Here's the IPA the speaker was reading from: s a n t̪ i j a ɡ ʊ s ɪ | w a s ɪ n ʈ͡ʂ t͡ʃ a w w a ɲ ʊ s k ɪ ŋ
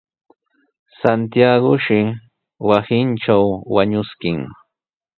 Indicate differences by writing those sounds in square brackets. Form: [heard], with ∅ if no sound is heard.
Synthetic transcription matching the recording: s a n t̪ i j a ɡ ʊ [ʃ] ɪ | w a s ɪ n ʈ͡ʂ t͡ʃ a w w a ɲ ʊ s k ɪ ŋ